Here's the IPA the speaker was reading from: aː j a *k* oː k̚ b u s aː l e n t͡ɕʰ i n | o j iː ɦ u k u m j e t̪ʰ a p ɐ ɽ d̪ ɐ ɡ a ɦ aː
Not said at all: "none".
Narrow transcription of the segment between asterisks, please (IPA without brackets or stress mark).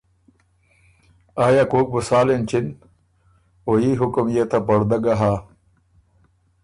k